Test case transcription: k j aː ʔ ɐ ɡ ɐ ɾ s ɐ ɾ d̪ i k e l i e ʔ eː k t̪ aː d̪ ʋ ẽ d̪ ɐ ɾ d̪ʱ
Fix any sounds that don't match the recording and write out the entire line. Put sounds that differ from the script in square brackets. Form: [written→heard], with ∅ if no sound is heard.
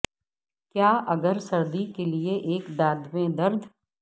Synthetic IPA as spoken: k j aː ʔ ɐ ɡ [ɐ→ə] ɾ s ɐ ɾ d̪ i k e l i e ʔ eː k [t̪→d̪] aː d̪ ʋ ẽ d̪ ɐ ɾ d̪ʱ